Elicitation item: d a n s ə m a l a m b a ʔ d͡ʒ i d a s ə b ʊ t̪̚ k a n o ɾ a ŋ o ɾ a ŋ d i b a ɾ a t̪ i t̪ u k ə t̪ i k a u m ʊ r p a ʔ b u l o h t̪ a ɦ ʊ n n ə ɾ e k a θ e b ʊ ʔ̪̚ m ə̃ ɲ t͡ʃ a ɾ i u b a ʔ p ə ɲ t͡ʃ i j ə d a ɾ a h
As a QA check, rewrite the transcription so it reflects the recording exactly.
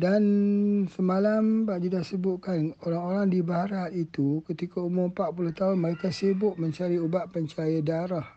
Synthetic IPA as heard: d a n s ə m a l a m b a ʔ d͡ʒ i d a s ə b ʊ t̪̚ k a n o ɾ a ŋ o ɾ a ŋ d i b a ɾ a t̪ i t̪ u k ə t̪ i k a u m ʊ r p a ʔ p u l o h t̪ a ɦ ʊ n m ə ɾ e k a s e b ʊ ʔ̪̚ m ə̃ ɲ t͡ʃ a ɾ i u b a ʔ p ə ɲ t͡ʃ a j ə d a ɾ a h